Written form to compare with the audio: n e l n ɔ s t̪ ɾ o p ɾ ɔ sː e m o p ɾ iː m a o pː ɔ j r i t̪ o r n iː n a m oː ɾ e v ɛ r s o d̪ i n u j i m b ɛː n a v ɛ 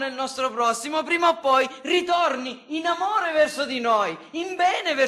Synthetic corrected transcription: n e l n ɔ s t̪ ɾ o p ɾ ɔ sː i m o p ɾ iː m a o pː ɔ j r i t̪ o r n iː n a m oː ɾ e v ɛ r s o d̪ i n o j i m b ɛː n e v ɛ